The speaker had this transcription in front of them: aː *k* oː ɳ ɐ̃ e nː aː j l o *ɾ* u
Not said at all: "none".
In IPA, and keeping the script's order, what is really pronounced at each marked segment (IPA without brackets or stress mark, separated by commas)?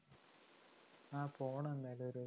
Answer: p, ɾ